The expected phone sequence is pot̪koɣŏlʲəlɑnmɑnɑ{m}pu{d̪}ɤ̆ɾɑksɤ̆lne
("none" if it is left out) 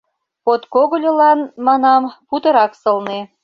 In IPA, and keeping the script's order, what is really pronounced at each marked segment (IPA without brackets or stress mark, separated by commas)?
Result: m, t̪